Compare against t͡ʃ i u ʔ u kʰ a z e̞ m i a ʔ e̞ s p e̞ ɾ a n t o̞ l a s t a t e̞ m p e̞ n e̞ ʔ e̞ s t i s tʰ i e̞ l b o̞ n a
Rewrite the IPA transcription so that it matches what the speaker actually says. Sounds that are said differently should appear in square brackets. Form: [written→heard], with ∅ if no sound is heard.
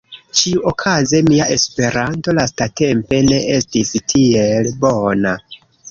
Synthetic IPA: t͡ʃ i u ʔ [u→o] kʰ a z e̞ m i a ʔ e̞ s p e̞ ɾ a n t o̞ l a s t a t e̞ m p e̞ n e̞ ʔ e̞ s t i s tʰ i e̞ l b o̞ n a